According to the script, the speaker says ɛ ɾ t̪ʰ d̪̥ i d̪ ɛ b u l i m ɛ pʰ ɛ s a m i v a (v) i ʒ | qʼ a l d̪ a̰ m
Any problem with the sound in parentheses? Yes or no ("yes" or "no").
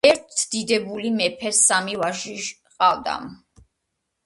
yes